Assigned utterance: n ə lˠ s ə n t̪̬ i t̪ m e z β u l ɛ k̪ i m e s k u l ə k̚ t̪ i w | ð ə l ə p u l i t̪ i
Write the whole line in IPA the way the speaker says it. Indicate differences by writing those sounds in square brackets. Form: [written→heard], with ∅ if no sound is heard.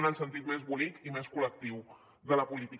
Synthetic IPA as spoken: n ə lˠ s ə n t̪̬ i t̪ m e z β u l [ɛ→i] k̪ i m e s k u l ə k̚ t̪ i w | ð ə l ə p u l i t̪ i